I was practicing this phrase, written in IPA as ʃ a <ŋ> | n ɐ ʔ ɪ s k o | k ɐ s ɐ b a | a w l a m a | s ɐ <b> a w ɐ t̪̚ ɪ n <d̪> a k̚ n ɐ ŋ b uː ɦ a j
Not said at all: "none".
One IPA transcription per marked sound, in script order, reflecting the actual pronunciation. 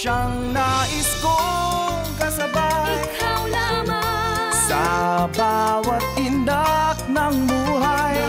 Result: ŋ, b, d̪

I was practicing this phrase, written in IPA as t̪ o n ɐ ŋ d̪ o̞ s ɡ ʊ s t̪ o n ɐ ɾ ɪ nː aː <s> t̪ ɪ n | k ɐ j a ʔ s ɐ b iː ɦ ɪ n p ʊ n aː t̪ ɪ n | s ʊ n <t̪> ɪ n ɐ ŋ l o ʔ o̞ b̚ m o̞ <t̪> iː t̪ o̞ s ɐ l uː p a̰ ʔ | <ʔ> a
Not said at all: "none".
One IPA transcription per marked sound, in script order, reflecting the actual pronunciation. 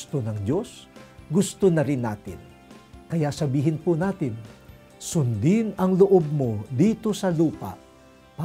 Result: none, d̪, d̪, p

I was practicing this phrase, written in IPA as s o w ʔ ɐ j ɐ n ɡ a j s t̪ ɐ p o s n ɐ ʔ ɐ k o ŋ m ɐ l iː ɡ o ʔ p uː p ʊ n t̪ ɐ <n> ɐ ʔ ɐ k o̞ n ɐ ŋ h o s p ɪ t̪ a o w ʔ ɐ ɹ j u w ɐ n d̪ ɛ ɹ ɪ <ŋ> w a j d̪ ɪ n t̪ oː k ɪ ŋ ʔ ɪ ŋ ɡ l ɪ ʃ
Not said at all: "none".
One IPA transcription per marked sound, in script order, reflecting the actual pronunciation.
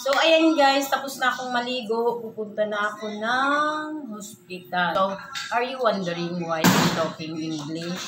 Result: n, ŋ

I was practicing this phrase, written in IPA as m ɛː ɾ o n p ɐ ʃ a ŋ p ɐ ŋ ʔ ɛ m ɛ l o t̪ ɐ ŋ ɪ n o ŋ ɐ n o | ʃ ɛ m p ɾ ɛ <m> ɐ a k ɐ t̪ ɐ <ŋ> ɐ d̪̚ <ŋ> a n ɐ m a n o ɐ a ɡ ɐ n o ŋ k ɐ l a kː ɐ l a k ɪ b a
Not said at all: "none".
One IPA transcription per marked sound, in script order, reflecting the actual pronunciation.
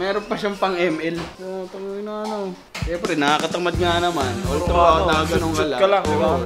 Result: n, m, ŋ

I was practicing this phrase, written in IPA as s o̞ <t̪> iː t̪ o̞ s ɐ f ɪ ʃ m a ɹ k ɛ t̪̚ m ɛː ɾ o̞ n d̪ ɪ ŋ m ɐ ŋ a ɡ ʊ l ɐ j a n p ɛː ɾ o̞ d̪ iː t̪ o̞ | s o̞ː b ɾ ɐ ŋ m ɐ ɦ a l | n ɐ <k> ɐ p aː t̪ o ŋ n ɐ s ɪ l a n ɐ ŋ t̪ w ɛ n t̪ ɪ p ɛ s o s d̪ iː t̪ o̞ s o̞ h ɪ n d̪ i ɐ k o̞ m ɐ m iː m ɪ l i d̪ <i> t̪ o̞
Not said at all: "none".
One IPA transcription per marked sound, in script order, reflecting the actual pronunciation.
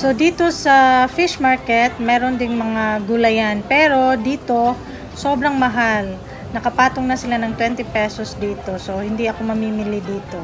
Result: d̪, k, iː

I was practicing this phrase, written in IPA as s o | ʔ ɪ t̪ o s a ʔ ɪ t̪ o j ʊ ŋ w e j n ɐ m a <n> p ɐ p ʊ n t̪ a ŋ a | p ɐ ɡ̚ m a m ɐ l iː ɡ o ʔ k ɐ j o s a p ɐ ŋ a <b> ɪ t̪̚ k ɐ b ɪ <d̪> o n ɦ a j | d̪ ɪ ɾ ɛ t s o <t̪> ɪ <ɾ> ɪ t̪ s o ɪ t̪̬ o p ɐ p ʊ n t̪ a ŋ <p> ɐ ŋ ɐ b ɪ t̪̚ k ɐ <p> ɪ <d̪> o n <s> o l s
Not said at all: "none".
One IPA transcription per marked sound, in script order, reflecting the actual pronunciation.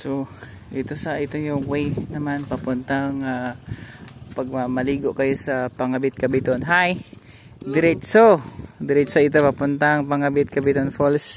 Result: n, b, t̪, d̪, ɾ, p, b, t̪, f

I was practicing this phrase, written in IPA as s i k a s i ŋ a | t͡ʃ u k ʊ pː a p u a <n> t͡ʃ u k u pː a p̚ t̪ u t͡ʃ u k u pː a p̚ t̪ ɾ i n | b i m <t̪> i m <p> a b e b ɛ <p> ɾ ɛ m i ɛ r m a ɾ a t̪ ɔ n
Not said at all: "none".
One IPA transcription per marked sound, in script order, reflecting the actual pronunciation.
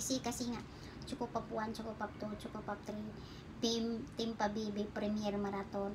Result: n, t̪, p, p

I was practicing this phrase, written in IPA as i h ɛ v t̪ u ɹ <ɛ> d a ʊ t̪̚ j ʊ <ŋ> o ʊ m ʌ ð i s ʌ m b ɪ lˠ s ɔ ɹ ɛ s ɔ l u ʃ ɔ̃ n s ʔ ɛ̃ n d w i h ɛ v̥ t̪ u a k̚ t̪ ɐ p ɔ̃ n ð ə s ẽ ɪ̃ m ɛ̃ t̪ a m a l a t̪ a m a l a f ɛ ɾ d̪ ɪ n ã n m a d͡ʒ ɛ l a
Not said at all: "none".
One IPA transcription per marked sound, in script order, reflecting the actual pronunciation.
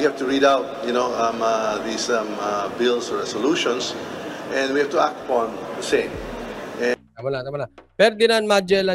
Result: i, n

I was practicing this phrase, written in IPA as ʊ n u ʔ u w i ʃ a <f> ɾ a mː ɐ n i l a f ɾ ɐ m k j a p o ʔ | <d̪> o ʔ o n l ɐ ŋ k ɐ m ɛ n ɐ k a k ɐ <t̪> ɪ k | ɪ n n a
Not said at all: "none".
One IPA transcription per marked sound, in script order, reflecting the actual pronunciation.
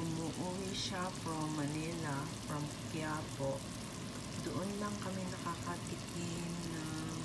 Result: f, d̪, t̪

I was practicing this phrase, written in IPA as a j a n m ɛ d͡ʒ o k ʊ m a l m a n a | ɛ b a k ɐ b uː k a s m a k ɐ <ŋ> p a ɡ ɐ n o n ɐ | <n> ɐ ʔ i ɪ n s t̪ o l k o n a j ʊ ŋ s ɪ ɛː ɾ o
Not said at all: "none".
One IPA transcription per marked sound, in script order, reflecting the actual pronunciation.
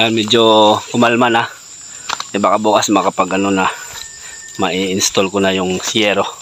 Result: none, m

